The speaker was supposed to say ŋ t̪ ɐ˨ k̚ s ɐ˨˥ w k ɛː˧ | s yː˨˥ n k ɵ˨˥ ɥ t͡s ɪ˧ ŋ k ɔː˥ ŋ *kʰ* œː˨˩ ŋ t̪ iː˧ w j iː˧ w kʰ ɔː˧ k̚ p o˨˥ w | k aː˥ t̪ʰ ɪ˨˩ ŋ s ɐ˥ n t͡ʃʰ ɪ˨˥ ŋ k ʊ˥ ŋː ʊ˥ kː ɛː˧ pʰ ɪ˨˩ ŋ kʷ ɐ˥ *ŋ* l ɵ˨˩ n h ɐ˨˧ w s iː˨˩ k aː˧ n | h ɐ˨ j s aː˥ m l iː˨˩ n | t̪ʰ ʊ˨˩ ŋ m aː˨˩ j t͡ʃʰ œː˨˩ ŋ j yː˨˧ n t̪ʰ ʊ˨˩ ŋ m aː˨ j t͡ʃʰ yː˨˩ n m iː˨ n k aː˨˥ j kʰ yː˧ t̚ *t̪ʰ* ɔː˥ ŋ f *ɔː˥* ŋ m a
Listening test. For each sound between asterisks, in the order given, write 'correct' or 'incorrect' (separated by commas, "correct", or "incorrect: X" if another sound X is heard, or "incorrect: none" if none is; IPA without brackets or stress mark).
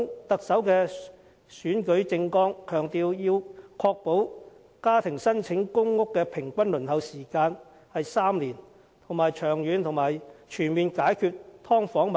correct, incorrect: n, correct, incorrect: ɔː˨˥